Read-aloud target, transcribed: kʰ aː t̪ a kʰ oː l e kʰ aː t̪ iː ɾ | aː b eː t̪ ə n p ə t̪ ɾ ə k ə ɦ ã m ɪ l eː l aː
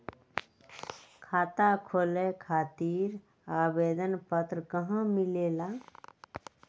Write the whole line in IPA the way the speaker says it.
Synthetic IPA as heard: kʰ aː t̪ a kʰ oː l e kʰ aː t̪ iː ɾ | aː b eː d̪ ə n p ə t̪ ɾ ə k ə ɦ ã m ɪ l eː l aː